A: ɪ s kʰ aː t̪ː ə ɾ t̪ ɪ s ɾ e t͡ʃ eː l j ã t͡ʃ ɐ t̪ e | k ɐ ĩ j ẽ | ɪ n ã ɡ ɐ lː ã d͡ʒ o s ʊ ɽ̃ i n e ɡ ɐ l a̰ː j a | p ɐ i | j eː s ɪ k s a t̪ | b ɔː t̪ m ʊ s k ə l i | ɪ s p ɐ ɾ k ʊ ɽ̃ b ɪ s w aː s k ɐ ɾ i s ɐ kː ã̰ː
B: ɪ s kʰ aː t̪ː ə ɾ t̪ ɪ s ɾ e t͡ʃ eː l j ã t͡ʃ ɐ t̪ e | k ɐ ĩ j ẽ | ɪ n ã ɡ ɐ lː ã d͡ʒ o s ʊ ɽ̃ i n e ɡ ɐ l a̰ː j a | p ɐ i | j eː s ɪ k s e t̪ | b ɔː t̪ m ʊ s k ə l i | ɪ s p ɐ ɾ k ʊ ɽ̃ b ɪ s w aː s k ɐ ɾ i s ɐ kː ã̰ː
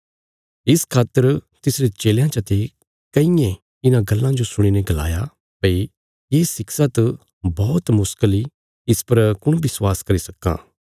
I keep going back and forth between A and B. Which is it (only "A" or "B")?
A